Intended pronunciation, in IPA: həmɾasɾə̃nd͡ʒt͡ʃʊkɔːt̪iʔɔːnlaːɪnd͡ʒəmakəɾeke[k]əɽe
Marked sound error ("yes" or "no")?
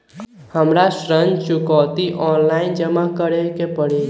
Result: yes